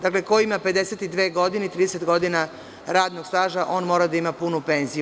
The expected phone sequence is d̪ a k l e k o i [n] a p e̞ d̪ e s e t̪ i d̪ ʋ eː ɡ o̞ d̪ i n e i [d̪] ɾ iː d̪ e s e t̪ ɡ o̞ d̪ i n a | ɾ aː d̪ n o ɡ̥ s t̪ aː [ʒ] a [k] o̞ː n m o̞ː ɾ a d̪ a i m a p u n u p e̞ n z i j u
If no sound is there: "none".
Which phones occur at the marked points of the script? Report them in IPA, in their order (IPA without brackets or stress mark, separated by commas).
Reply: m, t̪, ʒ, ʔ